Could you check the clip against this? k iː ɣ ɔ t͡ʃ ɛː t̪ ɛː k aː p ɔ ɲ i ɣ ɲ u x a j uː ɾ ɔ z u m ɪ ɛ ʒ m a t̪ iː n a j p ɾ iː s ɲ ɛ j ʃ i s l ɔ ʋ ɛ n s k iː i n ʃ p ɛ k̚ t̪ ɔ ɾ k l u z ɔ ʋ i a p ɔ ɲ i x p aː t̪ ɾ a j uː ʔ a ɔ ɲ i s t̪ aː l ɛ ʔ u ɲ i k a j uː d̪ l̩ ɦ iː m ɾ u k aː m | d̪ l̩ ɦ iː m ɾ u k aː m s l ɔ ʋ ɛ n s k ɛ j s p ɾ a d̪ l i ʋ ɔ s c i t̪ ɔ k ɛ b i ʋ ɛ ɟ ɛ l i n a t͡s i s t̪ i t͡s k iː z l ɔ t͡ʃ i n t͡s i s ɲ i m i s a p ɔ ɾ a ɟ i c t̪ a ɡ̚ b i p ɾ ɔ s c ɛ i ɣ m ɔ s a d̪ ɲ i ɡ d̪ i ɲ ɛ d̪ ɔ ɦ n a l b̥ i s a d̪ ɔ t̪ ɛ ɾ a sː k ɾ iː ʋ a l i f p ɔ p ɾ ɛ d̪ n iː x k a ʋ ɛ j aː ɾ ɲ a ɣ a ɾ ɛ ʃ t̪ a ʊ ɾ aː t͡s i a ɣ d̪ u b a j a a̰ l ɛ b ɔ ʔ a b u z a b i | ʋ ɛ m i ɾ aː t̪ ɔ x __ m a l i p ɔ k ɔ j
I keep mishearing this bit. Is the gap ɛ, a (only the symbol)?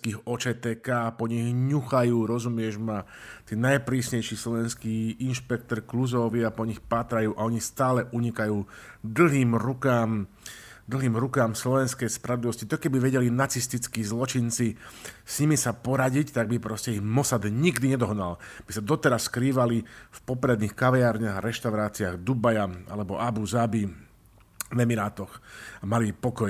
a